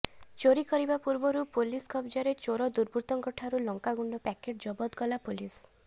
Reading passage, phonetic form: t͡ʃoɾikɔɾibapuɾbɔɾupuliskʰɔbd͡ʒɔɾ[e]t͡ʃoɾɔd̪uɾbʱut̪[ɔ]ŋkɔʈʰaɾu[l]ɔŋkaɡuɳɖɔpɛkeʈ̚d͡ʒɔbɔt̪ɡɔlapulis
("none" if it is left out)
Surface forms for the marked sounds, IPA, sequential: e, ɔ, l

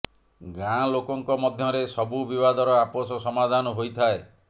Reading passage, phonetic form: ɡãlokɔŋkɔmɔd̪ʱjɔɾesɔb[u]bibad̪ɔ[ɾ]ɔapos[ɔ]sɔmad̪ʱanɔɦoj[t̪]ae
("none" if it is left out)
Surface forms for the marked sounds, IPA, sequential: u, ɾ, ɔ, t̪ʰ

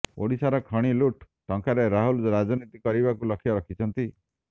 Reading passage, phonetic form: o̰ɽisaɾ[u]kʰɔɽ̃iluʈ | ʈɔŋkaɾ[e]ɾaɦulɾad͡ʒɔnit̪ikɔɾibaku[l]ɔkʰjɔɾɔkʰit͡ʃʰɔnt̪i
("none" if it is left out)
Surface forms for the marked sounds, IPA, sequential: ɔ, e, l

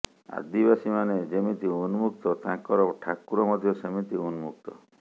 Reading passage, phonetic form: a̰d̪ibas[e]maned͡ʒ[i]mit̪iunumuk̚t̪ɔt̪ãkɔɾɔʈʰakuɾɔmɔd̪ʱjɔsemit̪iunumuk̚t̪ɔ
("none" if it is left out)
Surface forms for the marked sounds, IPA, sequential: i, e

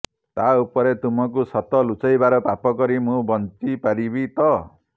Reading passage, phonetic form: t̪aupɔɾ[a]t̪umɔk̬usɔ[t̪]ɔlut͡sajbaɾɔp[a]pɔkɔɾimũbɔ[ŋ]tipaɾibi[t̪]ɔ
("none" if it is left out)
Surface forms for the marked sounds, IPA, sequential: e, t̪, a, n, t̪

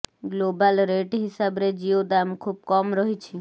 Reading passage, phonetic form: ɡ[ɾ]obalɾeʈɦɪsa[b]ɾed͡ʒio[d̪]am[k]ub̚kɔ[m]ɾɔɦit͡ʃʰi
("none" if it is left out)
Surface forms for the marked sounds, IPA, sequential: l, b, d̪, kʰ, m

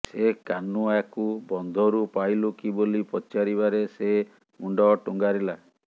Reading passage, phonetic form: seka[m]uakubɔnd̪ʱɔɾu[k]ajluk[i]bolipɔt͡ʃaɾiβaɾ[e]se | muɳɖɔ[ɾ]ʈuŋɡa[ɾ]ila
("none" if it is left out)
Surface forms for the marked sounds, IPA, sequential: n, p, i, e, none, ɾ

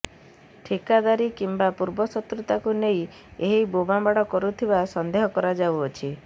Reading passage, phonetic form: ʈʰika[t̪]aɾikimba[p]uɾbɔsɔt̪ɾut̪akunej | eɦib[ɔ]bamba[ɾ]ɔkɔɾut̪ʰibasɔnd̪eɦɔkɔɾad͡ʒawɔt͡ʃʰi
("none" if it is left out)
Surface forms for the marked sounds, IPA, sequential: d̪, p, o, ɽ

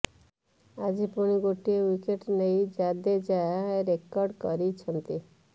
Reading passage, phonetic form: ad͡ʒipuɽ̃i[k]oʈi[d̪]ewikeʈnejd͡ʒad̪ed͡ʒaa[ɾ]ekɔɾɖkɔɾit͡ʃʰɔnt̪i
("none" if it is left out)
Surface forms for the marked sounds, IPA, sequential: ɡ, none, ɾ

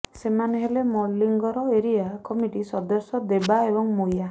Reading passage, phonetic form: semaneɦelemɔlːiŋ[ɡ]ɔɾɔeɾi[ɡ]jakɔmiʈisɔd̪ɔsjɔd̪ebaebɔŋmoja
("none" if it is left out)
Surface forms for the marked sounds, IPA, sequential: ɡ, none

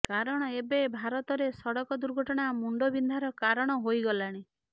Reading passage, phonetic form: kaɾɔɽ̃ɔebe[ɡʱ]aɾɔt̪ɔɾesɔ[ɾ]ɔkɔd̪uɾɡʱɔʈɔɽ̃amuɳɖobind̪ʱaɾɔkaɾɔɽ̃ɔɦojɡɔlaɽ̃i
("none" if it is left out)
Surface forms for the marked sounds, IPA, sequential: bʱ, ɽ

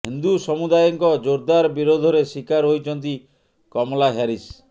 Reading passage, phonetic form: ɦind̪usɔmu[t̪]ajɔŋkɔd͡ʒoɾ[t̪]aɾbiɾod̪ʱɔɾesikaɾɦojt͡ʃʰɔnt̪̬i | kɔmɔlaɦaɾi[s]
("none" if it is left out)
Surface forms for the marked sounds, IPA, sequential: d̪, d̪, s

